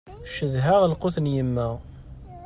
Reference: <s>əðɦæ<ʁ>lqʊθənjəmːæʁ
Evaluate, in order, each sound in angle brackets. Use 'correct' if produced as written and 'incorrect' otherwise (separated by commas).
incorrect, correct